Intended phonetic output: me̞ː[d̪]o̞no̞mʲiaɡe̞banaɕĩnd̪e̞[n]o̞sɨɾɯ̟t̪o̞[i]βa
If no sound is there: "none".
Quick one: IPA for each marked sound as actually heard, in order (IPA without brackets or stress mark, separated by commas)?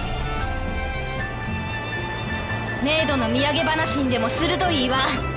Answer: d̪, m, iː